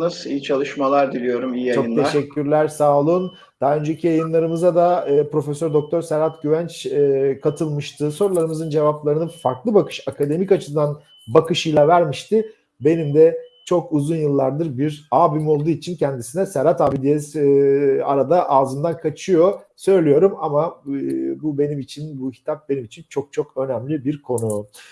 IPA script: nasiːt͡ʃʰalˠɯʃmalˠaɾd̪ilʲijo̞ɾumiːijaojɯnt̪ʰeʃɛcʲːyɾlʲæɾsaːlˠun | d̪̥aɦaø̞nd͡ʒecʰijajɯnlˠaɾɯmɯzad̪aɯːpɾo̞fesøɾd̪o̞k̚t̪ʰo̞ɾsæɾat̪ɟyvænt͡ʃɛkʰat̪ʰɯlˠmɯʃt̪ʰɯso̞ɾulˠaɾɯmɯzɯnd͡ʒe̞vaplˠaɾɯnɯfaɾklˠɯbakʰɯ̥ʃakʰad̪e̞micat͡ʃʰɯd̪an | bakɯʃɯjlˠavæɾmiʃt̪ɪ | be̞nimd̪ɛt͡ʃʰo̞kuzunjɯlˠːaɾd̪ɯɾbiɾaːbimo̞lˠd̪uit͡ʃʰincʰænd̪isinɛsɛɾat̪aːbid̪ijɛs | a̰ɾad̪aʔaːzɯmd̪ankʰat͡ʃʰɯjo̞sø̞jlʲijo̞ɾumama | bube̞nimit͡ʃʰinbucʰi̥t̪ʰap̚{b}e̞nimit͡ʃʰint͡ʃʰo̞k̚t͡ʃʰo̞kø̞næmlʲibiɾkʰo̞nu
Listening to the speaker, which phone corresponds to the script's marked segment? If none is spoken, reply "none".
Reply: b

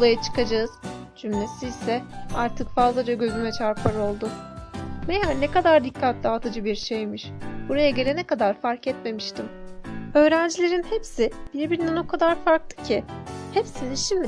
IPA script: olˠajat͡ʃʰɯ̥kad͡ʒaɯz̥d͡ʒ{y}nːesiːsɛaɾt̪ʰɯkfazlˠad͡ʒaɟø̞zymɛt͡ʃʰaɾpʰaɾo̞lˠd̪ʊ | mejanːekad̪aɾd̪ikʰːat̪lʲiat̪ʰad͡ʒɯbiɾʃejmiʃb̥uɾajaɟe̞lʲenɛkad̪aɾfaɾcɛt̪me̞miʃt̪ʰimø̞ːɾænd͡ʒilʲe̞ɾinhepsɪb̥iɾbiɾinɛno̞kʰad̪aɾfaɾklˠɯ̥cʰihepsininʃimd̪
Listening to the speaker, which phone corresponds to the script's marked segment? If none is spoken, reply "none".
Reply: y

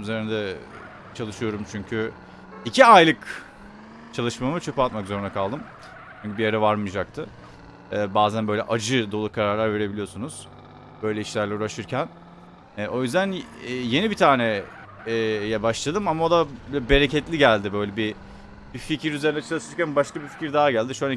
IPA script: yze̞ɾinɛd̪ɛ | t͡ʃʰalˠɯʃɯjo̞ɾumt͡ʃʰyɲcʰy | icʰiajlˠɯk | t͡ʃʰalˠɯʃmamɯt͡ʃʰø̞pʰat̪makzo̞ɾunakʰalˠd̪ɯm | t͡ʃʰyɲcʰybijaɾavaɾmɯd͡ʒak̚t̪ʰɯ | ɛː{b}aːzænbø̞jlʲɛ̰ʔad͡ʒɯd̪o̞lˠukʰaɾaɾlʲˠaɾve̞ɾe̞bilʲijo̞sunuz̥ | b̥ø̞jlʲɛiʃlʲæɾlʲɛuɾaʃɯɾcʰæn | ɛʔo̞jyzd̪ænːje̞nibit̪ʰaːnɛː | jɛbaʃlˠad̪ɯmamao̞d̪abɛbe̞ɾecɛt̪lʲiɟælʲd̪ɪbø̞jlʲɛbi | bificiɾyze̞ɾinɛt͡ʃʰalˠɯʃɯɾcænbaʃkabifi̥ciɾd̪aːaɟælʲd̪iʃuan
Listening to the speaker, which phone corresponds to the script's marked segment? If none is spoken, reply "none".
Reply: b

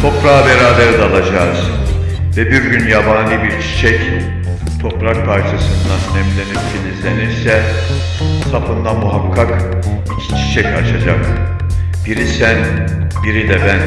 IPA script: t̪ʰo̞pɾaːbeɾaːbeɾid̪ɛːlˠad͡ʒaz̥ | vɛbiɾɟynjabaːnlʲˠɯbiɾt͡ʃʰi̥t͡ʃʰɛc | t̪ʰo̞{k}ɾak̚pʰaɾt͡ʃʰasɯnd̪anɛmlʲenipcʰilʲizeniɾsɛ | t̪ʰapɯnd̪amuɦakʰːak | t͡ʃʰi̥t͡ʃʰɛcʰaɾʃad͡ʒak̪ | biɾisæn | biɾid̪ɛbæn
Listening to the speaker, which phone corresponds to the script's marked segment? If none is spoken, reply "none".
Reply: p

